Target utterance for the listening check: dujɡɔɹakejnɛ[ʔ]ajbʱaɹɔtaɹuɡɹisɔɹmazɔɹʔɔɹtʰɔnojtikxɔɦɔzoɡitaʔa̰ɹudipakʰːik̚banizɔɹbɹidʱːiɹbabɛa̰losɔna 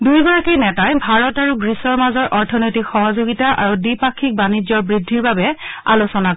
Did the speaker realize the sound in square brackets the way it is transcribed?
no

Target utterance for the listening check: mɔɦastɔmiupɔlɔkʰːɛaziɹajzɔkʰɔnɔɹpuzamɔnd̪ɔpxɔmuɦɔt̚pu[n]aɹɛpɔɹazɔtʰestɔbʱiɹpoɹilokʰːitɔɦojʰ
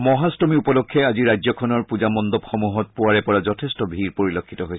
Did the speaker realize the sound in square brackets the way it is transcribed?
no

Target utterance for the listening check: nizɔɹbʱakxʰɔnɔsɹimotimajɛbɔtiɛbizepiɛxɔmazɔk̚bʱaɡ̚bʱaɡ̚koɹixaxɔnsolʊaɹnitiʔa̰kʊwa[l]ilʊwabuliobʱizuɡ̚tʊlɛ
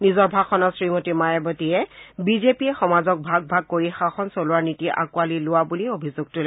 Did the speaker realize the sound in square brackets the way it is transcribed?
yes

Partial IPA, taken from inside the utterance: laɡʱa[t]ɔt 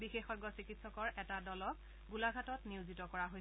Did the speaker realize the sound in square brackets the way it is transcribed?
yes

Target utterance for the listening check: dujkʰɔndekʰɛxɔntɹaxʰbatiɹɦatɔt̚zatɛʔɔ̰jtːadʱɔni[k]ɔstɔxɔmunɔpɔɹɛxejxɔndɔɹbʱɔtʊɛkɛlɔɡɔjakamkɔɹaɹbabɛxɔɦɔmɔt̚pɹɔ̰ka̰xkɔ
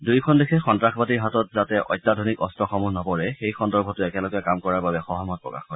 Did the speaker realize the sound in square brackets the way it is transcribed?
yes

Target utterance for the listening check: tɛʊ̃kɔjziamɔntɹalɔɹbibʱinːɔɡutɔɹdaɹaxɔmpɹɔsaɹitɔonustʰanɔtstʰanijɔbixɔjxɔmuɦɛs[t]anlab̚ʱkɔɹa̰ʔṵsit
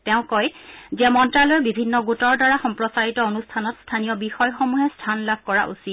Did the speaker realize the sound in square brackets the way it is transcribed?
no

